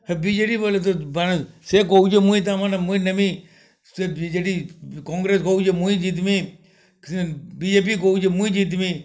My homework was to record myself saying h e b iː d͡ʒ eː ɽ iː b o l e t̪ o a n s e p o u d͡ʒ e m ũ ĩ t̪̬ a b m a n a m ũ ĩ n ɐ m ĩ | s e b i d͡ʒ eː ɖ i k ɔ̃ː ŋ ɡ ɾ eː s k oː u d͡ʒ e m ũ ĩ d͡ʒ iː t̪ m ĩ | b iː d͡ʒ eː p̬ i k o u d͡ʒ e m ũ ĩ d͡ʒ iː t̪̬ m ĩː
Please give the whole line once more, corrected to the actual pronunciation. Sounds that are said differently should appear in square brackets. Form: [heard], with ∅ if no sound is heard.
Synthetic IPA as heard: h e b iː d͡ʒ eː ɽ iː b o l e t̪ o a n s e [k] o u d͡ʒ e m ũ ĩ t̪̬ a [∅] m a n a m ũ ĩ n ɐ m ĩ | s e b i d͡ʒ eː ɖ i k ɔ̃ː ŋ ɡ ɾ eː s k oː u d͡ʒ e m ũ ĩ d͡ʒ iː t̪ m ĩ | b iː d͡ʒ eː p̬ i k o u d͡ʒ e m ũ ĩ d͡ʒ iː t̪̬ m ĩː